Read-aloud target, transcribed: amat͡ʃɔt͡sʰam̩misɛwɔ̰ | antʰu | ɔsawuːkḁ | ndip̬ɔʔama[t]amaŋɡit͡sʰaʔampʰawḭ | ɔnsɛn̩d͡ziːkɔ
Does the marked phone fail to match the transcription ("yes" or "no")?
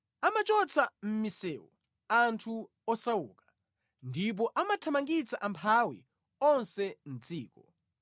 yes